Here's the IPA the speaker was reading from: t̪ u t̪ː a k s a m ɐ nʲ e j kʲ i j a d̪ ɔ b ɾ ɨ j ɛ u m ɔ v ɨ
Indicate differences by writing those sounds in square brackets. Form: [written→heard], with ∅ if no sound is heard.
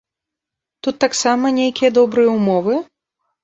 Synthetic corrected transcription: t̪ u t̪ː a k s a m ɐ nʲ e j kʲ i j [a→ɐ] d̪ ɔ b ɾ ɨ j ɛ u m ɔ v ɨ